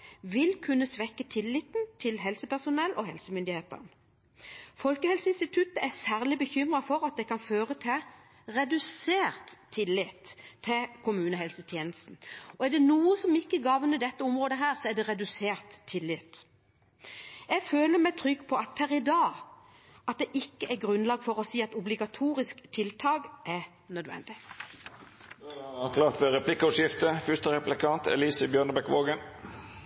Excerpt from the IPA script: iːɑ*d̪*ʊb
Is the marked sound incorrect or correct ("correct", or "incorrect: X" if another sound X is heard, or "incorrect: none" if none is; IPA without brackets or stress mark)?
incorrect: t̪